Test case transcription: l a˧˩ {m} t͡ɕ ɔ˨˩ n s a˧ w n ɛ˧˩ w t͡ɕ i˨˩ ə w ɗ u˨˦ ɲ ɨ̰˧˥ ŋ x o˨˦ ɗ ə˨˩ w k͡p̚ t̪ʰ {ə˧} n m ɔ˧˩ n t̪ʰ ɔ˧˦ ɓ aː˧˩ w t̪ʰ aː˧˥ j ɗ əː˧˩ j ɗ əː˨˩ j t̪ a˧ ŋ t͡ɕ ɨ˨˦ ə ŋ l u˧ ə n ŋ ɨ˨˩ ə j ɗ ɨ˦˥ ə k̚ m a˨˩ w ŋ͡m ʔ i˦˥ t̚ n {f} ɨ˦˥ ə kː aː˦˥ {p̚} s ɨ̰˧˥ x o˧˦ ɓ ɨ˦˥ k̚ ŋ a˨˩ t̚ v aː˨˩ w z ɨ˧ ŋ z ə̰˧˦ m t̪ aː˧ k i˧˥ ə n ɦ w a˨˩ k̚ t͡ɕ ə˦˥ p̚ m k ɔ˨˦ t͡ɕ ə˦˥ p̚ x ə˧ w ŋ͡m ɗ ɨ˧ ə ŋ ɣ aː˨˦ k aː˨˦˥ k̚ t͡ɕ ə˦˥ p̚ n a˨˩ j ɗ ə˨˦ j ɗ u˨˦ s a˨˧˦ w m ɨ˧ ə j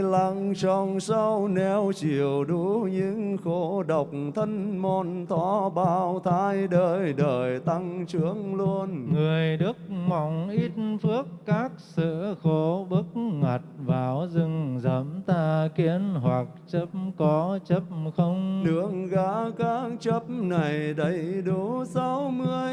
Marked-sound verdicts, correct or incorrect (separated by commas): incorrect, correct, correct, incorrect